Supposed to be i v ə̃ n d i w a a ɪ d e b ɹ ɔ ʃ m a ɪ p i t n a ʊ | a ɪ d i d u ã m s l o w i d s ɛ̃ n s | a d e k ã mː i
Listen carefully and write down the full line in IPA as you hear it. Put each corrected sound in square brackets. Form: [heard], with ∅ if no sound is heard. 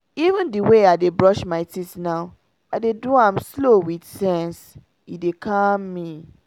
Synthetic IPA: i v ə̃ n d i w [e] a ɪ d e b ɹ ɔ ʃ m a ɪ [t] i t n a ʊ | a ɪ d [e] d u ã m s l o w i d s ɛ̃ n s | [i] d e k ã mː i